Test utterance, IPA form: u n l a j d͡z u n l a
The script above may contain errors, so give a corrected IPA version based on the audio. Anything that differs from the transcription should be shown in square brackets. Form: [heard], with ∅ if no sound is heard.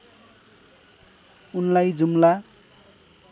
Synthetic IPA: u n l a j d͡z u [m] l a

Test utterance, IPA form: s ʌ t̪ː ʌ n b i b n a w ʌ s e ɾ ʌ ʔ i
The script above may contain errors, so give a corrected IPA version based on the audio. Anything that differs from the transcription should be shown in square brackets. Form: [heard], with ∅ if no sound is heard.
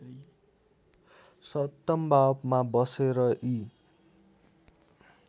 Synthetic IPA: s ʌ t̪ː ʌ [m] b [a] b [m] a [b] ʌ s e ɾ ʌ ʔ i

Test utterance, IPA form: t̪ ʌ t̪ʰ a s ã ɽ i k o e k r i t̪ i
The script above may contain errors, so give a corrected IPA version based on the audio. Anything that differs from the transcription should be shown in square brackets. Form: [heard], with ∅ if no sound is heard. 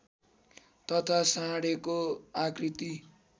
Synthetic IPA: t̪ ʌ t̪ʰ a s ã ɽ [e] k o [a] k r i t̪ i

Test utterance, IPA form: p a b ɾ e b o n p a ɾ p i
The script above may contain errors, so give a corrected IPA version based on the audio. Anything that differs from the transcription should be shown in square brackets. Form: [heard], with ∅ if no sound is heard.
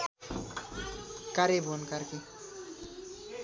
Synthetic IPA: [k] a [∅] ɾ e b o n [k] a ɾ [k] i

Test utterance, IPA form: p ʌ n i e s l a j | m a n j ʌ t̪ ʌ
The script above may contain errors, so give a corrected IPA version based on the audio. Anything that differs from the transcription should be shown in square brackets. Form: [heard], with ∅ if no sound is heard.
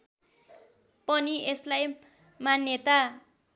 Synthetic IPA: p ʌ n i e s l a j | m a n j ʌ t̪ [a]

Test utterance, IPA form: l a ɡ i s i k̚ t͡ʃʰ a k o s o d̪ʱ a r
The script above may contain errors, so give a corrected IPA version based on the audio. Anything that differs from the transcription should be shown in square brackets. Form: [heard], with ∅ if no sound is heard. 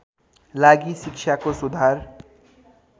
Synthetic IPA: l a ɡ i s i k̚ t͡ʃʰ a k o s [u] d̪ʱ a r

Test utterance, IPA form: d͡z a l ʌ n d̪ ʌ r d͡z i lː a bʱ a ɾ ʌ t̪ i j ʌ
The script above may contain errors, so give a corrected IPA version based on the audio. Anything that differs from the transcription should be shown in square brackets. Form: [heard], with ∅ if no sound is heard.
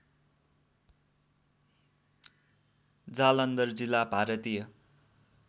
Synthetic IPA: d͡z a l ʌ n d̪ ʌ r d͡z i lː a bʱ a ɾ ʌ t̪ i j ʌ

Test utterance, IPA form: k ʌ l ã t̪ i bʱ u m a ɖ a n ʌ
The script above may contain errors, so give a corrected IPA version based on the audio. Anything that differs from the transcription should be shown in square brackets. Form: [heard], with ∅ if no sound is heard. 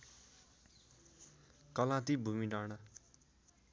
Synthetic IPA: k ʌ l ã t̪ i bʱ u m [i] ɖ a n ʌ

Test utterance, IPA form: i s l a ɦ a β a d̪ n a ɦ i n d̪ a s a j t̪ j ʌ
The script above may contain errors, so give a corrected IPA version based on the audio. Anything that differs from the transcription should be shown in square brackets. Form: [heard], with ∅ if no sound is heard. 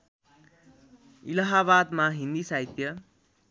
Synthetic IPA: i [∅] l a ɦ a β a d̪ [m] a ɦ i n d̪ [i] s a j t̪ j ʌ

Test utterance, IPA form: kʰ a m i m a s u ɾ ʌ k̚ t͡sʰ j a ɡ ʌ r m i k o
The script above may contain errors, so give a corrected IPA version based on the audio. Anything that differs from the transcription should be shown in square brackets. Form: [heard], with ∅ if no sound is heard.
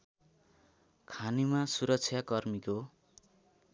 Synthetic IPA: kʰ a [n] i m a s u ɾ ʌ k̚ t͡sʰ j a [k] ʌ r m i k o

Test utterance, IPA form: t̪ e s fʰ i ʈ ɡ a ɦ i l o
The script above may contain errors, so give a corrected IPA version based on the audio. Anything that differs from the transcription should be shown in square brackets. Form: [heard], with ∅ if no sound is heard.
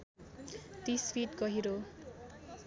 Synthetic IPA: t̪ [i] s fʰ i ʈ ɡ [ʌ] ɦ i [ɾ] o

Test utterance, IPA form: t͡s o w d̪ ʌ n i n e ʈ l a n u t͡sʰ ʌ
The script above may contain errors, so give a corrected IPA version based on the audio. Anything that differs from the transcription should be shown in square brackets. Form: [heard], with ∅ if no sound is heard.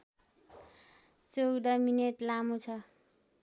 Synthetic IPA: t͡s o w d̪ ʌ [m] i n e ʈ l a [m] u t͡sʰ ʌ

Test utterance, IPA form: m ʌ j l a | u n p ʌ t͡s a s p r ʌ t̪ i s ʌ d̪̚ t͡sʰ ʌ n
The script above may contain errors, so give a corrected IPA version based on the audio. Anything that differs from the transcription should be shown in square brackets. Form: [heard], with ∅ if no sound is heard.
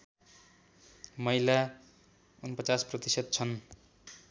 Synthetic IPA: m ʌ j l a | u n p ʌ t͡s a s p r ʌ t̪ i s ʌ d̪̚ t͡sʰ ʌ n

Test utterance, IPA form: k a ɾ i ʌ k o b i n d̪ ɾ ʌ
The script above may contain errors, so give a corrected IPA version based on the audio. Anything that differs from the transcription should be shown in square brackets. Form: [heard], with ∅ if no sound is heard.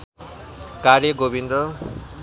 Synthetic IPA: k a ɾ [j] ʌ [ɡ] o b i n d̪ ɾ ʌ

